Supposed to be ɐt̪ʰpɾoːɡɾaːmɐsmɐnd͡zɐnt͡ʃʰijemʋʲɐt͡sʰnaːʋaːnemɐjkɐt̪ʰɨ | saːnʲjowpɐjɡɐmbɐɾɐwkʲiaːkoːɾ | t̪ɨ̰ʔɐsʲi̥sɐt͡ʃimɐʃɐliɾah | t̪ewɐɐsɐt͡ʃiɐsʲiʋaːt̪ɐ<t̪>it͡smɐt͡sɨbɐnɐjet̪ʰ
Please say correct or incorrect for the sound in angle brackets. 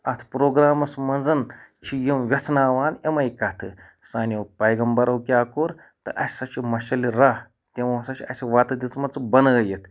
incorrect